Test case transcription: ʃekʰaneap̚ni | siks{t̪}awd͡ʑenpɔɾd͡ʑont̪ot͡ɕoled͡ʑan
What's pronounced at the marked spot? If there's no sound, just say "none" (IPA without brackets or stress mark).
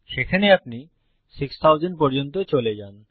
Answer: t̪ʰ